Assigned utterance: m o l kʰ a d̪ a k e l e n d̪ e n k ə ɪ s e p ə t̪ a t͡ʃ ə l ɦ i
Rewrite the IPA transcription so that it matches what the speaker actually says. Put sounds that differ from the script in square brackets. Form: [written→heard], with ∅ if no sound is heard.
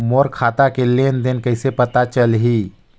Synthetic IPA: m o [l→ɾ] kʰ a [d̪→t̪] a k e l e n d̪ e n k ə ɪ s e p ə t̪ a t͡ʃ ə l ɦ i